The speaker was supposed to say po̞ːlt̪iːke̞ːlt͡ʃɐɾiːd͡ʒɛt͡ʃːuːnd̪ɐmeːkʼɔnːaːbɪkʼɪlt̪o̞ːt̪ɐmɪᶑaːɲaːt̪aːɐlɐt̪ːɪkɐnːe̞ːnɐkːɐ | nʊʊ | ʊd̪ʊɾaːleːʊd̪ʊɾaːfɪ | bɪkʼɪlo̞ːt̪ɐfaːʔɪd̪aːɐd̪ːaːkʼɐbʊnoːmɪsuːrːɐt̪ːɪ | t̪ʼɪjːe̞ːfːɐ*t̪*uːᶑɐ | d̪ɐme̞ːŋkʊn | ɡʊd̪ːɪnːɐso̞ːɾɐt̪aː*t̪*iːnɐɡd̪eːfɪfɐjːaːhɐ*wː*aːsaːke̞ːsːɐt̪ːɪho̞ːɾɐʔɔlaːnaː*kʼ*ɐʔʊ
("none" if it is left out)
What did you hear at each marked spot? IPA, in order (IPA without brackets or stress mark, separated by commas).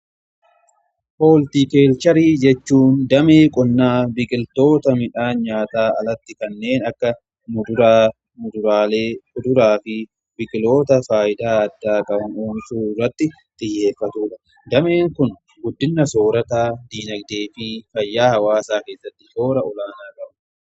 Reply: t̪, d̪, w, kʼ